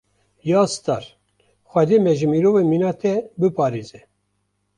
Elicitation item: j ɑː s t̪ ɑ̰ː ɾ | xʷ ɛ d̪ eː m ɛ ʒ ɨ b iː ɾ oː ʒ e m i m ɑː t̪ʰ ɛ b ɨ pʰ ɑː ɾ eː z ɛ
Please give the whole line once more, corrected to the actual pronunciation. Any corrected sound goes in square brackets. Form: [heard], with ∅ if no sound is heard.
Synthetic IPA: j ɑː s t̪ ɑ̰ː ɾ | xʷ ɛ d̪ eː m ɛ ʒ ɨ [m] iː ɾ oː [v] e m i [n] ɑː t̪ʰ ɛ b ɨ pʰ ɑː ɾ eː z ɛ

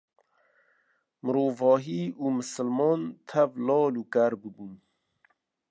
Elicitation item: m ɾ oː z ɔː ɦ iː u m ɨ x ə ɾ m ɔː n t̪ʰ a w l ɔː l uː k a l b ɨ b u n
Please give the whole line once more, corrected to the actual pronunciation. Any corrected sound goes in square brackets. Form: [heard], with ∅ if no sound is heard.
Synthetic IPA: m ɾ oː [v] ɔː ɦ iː u m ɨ [s] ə [l] m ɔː n t̪ʰ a [v] l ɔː l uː k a [ɾ] b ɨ b u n

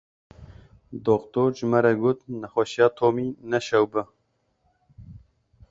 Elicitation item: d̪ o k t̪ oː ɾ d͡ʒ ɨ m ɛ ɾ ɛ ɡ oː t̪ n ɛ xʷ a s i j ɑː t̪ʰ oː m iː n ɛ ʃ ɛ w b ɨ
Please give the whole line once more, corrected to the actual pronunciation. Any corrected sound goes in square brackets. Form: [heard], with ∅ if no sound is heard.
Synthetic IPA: d̪ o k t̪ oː ɾ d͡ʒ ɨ m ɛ ɾ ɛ ɡ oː t̪ n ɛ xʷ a [ʃ] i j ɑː t̪ʰ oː m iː n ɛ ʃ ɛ w b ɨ

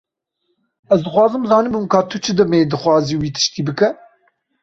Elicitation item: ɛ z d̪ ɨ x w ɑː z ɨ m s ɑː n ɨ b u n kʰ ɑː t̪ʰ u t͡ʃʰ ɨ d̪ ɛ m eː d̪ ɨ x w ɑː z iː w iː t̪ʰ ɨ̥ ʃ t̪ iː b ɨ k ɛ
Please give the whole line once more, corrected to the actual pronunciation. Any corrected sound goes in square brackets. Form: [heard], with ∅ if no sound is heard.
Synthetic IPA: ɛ z d̪ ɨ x w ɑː z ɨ m [z] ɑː n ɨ b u [m] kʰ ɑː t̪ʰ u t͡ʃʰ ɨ d̪ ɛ m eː d̪ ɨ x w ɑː z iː w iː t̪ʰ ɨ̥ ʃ t̪ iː b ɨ k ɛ

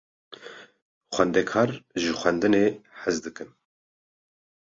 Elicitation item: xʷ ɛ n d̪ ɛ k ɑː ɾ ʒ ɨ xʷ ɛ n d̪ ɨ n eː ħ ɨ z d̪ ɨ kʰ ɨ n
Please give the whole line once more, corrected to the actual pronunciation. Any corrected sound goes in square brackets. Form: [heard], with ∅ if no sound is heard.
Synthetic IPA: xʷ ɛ n d̪ ɛ [kʰ] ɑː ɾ ʒ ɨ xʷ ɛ n d̪ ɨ n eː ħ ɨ z d̪ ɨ [k] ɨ n

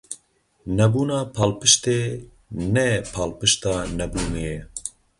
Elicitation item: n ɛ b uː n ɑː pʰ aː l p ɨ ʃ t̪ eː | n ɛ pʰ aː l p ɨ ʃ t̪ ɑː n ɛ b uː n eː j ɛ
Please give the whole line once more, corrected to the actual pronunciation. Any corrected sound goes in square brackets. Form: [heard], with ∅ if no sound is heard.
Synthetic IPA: n ɛ b uː n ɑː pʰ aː l p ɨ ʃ t̪ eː | n ɛ pʰ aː l p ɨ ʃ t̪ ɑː n ɛ b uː n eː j ɛ

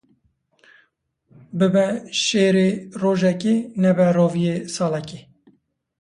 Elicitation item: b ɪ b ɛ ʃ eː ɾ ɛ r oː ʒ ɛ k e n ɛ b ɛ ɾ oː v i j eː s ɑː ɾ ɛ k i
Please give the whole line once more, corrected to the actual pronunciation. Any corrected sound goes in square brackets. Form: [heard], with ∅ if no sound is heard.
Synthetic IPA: b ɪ b ɛ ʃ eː ɾ [e] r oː ʒ ɛ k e n ɛ b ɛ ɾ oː v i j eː s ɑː [l] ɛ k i

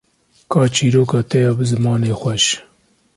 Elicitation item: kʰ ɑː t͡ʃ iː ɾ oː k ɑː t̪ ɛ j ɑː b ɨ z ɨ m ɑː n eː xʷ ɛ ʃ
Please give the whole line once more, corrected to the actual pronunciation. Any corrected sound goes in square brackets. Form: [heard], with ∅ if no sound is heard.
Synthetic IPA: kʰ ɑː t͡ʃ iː ɾ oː k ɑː t̪ ɛ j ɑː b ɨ z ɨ m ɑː n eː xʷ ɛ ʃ

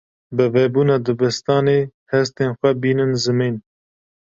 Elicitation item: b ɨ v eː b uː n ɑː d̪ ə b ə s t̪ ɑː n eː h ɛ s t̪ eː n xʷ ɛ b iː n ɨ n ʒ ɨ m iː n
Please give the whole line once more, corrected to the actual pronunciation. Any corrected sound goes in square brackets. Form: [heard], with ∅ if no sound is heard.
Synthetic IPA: b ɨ v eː b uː n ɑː d̪ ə b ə s t̪ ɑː n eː h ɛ s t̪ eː n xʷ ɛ b iː n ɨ n [z] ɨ m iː n

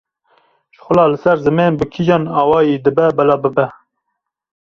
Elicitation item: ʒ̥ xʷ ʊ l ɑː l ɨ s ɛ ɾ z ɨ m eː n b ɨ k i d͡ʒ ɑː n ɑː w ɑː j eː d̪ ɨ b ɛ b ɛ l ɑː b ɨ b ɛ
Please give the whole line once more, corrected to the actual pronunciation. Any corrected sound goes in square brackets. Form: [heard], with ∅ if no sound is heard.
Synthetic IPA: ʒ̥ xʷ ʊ l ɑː l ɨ s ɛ ɾ z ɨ m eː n b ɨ [kʰ] i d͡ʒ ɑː n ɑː w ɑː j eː d̪ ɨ b ɛ b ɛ l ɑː b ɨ b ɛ

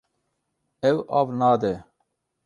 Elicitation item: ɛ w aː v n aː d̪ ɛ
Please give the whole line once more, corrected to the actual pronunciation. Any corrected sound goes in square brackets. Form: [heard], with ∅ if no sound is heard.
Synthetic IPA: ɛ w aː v n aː d̪ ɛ

